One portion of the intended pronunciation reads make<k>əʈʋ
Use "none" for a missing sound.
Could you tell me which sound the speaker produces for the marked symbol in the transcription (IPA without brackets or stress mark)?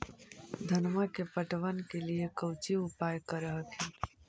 p